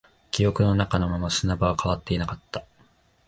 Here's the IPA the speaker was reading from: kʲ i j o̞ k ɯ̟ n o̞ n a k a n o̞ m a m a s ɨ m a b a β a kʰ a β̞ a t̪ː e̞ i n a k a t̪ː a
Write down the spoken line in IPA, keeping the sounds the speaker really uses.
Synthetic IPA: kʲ i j o̞ k ɯ̟ n o̞ n a k a n o̞ m a m a s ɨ n a b a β a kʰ a β̞ a t̪ː e̞ i n a k a t̪ː a